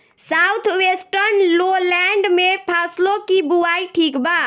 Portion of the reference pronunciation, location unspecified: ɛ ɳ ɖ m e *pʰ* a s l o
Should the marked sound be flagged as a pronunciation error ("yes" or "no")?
no